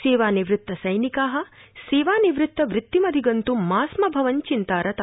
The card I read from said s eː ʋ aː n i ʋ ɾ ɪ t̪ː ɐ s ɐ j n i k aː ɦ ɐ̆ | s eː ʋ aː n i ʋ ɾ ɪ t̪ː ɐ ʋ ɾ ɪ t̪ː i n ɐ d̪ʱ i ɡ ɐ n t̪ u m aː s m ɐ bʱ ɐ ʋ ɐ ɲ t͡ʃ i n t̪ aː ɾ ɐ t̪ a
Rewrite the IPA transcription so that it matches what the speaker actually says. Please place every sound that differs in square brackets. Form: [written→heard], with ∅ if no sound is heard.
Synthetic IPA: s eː ʋ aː n i ʋ ɾ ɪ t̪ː ɐ s ɐ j n i k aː ɦ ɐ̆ | s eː ʋ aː n i ʋ ɾ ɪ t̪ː ɐ ʋ ɾ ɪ t̪ː i [n→m] ɐ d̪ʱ i ɡ ɐ n t̪ u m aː s m ɐ bʱ ɐ ʋ ɐ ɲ t͡ʃ i n t̪ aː ɾ ɐ t̪ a